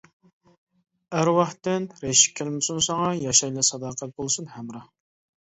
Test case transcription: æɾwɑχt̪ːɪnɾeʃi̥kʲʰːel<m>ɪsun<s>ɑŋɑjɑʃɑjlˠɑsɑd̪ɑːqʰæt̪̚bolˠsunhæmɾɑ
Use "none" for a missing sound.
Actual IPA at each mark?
m, s

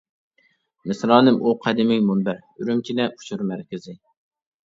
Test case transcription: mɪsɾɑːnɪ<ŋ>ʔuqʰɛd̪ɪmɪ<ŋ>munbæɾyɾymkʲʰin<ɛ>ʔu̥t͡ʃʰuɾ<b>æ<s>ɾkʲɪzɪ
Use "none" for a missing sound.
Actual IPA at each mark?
m, ŋ, ɛ, m, none

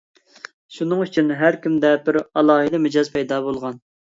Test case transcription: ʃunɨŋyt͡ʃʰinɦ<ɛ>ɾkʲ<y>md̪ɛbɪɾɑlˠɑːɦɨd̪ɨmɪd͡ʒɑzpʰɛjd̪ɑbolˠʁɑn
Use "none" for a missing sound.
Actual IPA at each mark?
æ, i

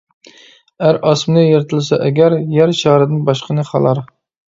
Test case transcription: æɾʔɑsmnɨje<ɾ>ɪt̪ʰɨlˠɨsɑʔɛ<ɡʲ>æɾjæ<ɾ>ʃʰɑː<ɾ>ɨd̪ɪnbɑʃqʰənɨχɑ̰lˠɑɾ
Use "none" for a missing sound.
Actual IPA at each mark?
ɾ, ɡʲ, ɾ, ɾ

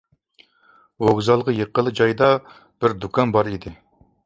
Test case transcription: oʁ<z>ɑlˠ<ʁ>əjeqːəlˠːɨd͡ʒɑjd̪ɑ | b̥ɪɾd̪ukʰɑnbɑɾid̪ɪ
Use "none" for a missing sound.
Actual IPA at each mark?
z, ʁ

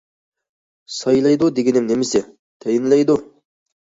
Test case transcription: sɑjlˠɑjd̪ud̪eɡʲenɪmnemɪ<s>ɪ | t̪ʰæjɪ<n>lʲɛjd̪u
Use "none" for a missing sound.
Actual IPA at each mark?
s, n

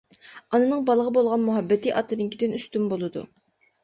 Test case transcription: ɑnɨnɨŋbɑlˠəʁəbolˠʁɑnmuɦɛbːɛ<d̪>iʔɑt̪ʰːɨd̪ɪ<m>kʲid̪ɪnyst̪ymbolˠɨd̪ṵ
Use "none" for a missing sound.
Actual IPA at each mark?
t̪, ŋ

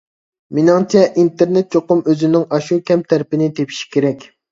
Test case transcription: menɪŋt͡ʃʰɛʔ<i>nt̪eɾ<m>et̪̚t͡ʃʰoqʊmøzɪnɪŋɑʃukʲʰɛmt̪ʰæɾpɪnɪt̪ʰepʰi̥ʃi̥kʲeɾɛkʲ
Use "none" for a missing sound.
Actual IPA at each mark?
i, n

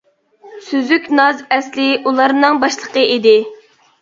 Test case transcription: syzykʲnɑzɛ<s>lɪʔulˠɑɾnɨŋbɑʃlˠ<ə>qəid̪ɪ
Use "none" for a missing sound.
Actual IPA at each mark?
s, ə

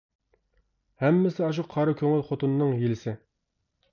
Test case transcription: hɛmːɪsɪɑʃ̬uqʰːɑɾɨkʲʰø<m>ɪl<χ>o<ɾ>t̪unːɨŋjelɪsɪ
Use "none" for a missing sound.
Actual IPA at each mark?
ŋ, χ, none

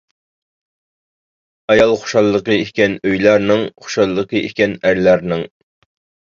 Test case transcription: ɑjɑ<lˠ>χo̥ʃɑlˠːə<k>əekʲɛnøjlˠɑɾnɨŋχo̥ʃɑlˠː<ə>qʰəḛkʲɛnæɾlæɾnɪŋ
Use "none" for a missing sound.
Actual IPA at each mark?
lˠ, q, ə

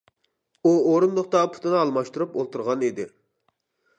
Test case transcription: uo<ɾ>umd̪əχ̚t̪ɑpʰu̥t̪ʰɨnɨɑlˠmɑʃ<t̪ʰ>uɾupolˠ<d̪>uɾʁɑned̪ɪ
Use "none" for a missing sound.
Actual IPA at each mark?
ɾ, t̪, t̪

